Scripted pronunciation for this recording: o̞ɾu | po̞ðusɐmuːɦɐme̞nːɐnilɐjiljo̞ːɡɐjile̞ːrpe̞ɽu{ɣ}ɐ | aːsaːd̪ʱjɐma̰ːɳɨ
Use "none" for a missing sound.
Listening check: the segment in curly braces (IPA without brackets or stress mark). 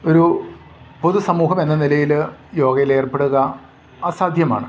ɣ